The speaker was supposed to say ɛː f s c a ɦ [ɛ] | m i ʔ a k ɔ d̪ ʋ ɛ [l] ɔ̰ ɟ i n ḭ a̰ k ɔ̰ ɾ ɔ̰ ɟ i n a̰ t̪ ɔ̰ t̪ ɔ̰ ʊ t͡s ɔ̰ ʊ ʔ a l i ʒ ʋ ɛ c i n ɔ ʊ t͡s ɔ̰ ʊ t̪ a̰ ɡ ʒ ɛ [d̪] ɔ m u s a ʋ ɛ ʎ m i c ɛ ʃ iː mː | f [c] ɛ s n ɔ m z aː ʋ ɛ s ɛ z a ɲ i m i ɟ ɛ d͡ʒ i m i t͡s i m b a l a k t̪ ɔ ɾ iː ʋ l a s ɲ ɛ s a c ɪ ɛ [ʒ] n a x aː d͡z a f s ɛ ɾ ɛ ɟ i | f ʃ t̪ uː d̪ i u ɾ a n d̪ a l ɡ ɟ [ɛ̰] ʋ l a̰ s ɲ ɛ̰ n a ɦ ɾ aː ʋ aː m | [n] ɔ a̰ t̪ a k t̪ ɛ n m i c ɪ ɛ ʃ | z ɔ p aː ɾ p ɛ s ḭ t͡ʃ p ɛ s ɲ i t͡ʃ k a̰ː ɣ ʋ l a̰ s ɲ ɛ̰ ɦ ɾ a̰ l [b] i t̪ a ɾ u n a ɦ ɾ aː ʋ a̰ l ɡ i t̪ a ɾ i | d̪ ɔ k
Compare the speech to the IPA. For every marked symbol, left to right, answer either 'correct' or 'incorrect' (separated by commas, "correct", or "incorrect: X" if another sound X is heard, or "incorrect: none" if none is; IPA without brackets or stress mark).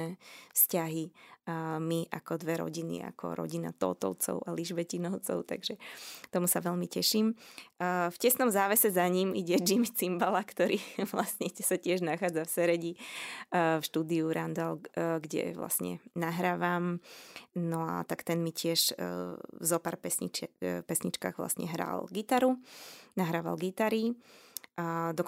incorrect: i, incorrect: ɾ, incorrect: t̪, correct, correct, correct, correct, incorrect: ɡ